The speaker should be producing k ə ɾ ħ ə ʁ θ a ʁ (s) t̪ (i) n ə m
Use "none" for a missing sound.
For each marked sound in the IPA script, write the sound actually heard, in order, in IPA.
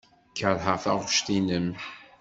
ʃ, i

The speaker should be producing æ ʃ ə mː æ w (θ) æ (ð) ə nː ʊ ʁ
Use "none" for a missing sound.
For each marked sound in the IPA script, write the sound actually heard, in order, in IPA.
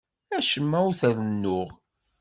θ, ð

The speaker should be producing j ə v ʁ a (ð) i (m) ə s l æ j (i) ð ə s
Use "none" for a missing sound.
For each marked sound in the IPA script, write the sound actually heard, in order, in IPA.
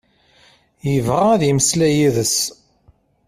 ð, m, i

